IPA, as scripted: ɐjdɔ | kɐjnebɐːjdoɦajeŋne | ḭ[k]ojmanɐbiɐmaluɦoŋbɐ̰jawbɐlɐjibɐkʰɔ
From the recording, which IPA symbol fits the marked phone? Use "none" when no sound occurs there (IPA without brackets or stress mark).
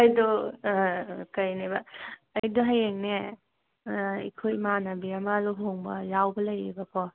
kʰ